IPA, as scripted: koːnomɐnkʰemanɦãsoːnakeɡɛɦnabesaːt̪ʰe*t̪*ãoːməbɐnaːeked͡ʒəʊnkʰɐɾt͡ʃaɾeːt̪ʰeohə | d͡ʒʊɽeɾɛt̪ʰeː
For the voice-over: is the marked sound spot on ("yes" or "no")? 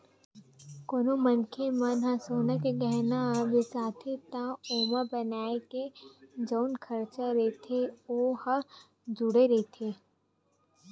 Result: yes